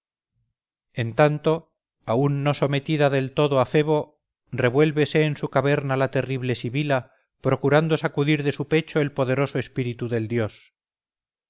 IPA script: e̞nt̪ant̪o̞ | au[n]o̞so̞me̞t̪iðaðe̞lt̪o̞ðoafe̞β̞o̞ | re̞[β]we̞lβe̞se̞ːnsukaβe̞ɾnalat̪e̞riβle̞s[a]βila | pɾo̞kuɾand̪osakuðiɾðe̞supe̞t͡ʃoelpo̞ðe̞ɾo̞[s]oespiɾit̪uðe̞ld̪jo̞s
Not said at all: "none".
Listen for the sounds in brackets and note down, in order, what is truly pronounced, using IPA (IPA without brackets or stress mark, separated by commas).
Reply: nː, β, i, s